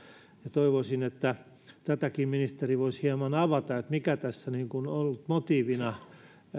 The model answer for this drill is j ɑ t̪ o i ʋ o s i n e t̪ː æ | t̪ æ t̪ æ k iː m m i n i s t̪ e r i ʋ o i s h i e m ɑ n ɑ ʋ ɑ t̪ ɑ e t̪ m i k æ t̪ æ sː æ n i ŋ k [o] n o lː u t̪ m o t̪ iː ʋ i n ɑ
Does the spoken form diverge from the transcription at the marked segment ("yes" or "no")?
yes